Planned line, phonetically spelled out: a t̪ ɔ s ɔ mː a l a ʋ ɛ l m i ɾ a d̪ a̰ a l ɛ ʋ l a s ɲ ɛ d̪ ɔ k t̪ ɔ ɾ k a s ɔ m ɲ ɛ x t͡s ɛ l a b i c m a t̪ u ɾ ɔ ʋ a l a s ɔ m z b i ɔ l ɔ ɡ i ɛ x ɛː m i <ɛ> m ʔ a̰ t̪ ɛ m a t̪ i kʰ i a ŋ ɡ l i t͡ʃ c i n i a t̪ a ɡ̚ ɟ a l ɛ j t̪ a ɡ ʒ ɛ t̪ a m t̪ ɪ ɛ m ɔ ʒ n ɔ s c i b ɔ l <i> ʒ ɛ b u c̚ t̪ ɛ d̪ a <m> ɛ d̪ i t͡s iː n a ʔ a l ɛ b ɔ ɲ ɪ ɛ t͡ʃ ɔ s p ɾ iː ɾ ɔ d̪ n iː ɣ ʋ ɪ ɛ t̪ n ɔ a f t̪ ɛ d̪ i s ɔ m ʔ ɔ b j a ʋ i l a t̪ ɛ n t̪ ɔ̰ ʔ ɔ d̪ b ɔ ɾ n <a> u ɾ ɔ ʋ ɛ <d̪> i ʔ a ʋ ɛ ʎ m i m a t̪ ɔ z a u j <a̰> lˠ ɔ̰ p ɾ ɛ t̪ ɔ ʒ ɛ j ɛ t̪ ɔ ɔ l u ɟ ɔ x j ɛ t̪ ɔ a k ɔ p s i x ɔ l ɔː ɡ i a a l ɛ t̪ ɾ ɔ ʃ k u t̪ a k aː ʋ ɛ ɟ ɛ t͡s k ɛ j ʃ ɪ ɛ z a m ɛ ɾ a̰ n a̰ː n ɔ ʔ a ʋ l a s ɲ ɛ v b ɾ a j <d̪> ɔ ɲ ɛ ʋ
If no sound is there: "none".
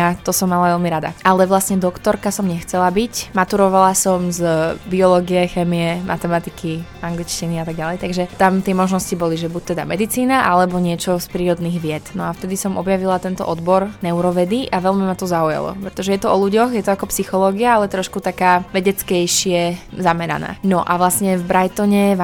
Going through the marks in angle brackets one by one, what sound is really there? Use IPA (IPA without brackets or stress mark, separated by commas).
ɛ, i, m, ɛ, d̪, a̰, t̪